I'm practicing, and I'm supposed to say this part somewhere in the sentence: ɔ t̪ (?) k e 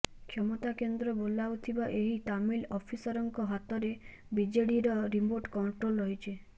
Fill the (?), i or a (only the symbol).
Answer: a